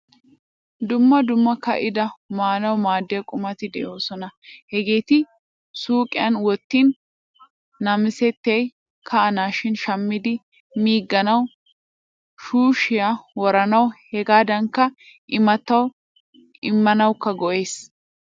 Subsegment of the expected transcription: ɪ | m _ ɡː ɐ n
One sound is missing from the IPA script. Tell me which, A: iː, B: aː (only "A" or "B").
A